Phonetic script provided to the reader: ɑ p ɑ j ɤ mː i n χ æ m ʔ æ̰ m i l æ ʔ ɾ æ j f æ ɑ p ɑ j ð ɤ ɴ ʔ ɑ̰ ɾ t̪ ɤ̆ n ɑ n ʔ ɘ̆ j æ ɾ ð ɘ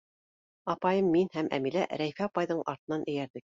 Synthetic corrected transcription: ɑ p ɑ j ɤ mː i n h æ m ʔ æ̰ m i l æ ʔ ɾ æ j f æ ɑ p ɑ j ð ɤ ɴ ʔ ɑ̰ ɾ t̪ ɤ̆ n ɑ n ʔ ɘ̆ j æ ɾ ð ɘ